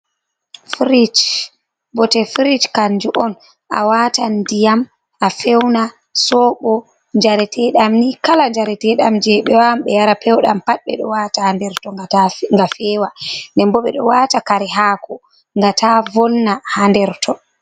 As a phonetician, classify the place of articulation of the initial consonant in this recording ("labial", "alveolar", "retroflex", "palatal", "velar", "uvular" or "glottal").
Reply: labial